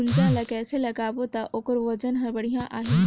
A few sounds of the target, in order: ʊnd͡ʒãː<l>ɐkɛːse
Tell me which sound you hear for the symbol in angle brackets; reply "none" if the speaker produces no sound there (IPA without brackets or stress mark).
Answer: l